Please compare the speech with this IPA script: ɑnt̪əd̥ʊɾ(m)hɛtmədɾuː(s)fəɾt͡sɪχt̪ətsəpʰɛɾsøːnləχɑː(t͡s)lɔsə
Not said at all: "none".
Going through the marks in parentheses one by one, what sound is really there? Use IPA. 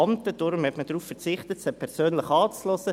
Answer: m, f, t͡s

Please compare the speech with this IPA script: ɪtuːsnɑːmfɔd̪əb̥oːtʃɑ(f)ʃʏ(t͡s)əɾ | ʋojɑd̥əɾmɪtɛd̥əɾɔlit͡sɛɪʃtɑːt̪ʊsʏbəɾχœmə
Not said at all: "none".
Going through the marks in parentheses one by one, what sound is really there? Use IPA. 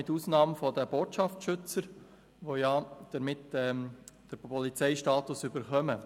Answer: f, t͡s

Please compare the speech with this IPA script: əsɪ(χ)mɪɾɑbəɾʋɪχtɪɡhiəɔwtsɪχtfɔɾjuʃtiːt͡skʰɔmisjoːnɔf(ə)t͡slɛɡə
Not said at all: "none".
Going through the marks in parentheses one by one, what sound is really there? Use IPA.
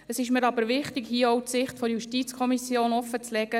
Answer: ʃ, ə

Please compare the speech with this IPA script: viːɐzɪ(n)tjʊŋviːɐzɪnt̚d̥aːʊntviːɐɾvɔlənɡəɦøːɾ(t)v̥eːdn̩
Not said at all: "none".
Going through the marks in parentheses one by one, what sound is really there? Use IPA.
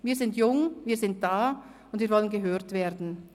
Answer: n, t

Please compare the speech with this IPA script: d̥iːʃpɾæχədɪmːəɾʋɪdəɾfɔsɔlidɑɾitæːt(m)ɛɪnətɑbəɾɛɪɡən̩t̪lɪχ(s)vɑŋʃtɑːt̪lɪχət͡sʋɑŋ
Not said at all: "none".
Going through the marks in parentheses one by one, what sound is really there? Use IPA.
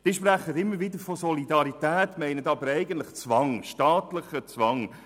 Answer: m, t͡s

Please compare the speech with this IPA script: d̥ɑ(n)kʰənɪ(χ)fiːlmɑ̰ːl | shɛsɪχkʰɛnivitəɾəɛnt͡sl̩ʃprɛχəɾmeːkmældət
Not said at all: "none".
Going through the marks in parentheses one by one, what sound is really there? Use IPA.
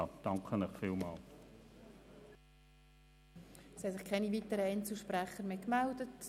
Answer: ŋ, χ

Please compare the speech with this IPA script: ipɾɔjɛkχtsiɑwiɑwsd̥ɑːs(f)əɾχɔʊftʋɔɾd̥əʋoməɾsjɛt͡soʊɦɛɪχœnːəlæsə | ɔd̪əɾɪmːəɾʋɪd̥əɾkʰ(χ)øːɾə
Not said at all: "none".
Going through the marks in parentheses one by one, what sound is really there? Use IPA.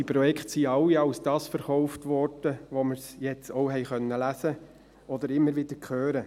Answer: f, χ

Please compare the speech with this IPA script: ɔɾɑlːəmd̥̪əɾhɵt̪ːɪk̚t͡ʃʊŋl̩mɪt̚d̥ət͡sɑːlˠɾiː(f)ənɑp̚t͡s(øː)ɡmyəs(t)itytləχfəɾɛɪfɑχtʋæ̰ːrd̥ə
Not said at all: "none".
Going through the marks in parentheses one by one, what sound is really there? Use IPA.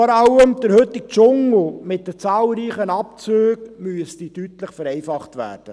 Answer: χ, øː, t

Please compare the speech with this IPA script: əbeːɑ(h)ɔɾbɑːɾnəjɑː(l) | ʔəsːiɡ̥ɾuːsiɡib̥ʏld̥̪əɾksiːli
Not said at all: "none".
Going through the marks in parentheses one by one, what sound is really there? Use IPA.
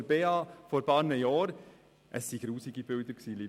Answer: f, ɾ

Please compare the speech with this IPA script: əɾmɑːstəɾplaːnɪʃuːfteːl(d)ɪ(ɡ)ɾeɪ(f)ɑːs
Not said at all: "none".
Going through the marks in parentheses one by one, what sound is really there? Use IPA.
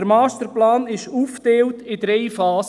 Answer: t, d, f

